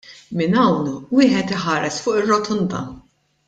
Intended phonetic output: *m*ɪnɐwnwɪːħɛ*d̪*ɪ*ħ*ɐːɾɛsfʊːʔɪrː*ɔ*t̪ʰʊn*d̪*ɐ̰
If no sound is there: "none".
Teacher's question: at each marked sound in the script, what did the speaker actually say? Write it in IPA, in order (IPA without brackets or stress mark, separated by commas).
m, t̪, ħ, ɔ, d̪